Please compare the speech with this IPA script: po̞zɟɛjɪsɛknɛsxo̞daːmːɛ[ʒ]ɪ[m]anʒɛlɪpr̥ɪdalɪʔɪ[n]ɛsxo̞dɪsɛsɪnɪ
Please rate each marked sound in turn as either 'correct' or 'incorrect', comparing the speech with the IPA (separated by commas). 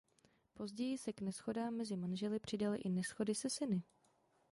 incorrect, correct, correct